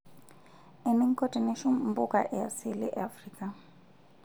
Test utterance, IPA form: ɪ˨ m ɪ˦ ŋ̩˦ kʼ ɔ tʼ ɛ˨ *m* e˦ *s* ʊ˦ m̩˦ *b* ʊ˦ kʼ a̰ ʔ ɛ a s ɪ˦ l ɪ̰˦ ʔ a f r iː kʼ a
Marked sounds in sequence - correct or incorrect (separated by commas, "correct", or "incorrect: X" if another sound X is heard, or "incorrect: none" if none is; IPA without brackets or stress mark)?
incorrect: n, incorrect: ʃ, correct